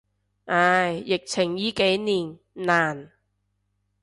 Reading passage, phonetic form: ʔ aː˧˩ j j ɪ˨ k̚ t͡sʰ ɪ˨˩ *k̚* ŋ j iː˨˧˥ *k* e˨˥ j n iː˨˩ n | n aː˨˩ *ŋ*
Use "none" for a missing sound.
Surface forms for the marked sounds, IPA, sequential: none, k, n

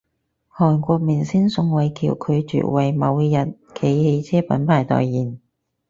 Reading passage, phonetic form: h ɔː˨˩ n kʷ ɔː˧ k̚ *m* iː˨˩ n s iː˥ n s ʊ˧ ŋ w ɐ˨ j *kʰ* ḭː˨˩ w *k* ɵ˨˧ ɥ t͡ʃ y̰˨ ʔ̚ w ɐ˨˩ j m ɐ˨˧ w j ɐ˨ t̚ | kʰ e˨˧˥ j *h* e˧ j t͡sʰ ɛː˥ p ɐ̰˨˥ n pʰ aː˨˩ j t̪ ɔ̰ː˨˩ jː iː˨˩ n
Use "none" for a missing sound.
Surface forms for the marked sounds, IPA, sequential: m, kʰ, kʰ, h

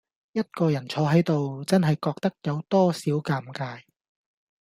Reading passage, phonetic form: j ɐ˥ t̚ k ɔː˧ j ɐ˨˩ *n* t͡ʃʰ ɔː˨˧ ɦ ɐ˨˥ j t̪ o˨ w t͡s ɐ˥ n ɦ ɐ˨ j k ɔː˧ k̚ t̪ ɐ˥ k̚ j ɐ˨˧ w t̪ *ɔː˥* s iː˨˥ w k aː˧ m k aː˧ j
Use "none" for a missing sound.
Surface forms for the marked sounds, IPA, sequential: n, ɔː˥

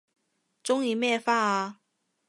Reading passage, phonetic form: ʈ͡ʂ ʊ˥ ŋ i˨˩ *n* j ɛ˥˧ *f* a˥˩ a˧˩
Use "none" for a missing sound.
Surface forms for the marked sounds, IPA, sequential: m, f

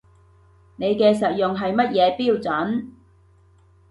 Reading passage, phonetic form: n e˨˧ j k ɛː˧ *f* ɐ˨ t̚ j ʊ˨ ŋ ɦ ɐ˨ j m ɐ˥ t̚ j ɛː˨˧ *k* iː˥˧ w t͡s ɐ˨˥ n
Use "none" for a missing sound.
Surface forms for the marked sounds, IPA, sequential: s, p

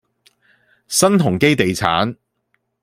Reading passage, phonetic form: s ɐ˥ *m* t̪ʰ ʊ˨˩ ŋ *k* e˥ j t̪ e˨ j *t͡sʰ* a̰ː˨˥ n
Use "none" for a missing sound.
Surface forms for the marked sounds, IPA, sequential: n, k, t͡sʰ

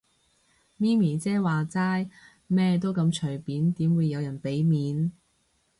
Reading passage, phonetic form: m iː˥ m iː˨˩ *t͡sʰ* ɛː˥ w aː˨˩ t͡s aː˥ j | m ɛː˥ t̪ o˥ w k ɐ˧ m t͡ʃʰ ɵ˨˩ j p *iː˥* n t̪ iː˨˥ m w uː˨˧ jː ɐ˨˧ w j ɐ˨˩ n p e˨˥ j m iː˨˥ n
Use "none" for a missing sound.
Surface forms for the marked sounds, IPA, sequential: t͡s, iː˨˥

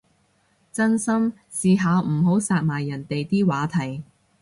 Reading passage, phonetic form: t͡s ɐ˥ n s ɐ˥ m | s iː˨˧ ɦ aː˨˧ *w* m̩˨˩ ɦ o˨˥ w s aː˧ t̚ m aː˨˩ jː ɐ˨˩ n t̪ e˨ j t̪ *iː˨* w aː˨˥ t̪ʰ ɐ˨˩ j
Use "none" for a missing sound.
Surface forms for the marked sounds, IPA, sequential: w, iː˥

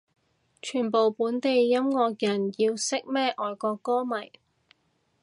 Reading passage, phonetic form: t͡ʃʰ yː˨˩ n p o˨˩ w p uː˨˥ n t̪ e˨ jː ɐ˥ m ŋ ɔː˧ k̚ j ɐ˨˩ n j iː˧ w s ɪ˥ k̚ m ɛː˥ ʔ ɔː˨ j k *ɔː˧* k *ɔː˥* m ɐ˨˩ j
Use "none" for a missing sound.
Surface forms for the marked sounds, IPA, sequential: ɔː˧, ɔː˥

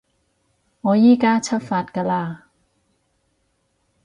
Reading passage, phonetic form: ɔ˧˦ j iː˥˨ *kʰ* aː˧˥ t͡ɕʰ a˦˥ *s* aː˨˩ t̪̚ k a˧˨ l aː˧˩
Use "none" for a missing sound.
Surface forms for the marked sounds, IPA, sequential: k, f

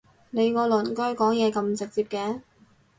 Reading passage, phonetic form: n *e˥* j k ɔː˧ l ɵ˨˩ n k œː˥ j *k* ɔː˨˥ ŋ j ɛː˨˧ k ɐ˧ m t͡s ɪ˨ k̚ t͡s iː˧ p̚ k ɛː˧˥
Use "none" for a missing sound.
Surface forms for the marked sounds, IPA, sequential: e˨˧, k

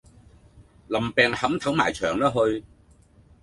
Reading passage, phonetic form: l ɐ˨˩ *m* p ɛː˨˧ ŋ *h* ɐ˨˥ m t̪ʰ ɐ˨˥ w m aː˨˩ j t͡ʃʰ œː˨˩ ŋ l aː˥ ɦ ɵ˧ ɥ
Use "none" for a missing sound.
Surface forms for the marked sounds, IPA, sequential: m, h

